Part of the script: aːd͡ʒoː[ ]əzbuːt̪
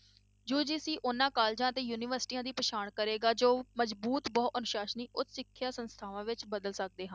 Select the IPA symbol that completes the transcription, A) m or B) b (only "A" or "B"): A